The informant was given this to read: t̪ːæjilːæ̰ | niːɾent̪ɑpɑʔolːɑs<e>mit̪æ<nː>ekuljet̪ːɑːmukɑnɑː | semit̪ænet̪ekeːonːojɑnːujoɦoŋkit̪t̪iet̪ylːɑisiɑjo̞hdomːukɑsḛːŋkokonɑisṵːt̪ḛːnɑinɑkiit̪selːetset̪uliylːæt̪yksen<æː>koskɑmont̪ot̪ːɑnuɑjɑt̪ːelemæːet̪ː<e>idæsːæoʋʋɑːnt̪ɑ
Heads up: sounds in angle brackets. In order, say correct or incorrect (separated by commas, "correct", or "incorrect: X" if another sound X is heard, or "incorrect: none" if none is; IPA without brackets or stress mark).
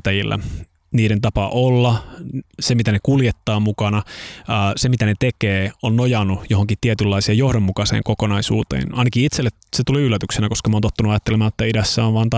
correct, incorrect: n, incorrect: æ, incorrect: æ